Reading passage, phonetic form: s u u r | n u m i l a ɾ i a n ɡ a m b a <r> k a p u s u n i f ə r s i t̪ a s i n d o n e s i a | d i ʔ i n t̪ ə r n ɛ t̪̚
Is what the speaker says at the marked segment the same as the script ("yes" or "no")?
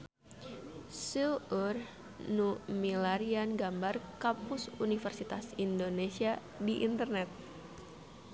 yes